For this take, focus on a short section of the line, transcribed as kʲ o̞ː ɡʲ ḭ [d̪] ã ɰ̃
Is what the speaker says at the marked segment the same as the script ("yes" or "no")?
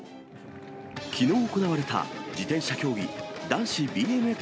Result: yes